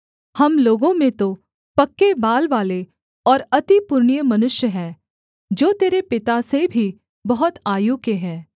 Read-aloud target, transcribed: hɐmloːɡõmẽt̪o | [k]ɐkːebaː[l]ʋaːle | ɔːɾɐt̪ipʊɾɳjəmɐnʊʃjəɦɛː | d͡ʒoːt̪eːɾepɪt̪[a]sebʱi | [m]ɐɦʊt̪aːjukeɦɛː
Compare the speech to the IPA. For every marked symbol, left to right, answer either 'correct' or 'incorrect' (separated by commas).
incorrect, correct, correct, incorrect